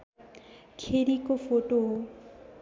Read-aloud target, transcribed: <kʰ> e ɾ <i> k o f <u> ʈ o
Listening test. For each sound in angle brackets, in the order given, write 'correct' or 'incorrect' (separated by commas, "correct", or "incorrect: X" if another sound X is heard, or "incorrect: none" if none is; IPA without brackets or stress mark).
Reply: correct, correct, incorrect: o